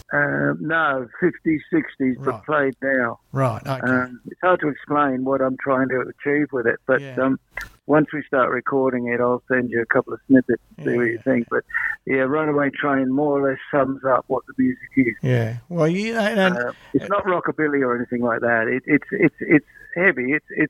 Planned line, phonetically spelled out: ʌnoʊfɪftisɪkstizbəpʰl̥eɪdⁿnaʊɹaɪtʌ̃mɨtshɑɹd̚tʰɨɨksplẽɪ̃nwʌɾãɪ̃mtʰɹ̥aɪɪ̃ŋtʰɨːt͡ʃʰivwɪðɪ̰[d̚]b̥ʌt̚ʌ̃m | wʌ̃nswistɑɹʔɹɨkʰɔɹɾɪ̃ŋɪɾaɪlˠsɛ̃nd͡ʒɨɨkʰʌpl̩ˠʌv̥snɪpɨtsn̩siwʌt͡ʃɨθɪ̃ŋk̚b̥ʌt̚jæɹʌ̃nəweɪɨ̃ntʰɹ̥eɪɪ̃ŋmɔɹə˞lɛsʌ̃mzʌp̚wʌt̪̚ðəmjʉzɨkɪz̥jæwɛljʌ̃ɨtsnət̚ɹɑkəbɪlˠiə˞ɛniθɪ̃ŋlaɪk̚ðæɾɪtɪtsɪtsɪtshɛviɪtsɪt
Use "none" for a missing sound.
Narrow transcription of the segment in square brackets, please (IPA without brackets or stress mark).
t̚